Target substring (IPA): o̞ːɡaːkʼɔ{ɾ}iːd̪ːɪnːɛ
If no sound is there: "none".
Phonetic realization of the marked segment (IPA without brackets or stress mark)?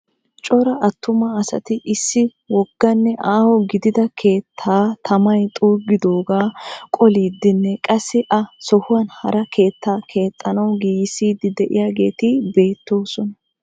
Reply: l